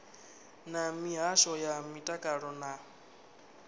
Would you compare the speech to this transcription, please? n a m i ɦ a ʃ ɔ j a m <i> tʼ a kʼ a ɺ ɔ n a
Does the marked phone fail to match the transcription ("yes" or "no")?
no